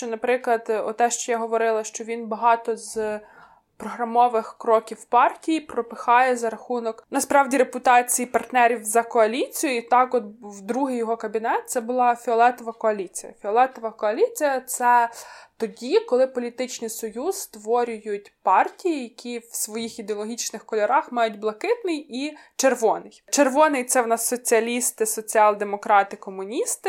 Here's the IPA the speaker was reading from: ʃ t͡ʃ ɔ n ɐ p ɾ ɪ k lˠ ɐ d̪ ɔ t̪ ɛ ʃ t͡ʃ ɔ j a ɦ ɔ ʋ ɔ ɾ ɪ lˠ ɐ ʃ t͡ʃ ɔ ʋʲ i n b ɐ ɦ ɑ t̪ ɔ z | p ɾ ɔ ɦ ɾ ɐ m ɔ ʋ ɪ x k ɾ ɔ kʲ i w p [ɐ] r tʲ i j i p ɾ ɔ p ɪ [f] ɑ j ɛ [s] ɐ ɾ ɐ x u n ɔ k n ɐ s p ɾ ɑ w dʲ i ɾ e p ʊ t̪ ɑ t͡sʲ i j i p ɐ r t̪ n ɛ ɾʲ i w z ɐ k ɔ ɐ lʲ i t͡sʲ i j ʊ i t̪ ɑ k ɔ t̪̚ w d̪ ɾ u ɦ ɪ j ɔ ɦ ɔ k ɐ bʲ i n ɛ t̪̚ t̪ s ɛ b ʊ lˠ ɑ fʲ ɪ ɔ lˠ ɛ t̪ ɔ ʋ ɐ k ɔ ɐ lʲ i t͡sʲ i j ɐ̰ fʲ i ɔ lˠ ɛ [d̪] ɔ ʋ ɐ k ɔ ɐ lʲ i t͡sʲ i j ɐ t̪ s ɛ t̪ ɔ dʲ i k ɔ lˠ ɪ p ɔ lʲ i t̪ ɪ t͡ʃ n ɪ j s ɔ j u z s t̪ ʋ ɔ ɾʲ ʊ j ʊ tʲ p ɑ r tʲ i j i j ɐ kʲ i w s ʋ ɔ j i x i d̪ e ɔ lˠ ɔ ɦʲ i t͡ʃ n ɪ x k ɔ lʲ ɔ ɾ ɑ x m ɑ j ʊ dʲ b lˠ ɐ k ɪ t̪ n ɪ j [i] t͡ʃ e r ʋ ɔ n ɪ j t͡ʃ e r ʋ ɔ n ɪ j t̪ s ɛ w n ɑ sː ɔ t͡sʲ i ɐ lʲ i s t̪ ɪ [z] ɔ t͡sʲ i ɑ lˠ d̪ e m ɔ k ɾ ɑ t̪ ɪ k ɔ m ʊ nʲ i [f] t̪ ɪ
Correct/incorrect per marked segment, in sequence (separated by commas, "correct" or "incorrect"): incorrect, incorrect, incorrect, incorrect, correct, incorrect, incorrect